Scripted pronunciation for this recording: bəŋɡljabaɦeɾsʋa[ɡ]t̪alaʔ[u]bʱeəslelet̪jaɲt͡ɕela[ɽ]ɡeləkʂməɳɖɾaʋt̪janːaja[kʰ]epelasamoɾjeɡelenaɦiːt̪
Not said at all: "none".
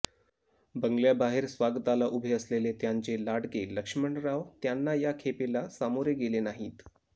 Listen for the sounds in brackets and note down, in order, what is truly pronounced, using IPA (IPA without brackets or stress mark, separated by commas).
ɡ, u, ɽ, kʰ